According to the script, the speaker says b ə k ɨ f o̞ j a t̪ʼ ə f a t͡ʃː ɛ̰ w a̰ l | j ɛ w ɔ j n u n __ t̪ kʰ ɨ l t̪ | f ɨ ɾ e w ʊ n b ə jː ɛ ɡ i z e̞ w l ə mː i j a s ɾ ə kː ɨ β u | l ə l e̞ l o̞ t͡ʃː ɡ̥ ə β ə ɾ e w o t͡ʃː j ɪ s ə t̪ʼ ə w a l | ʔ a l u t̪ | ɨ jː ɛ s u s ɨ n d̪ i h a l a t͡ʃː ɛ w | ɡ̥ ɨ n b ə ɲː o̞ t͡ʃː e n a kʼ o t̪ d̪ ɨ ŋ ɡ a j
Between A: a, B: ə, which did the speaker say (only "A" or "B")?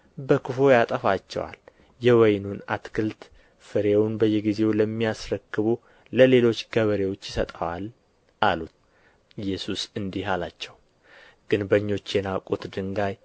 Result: A